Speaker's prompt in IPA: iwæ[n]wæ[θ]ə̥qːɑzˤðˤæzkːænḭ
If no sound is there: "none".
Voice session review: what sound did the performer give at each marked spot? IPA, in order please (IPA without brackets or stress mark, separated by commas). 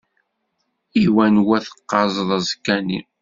n, θ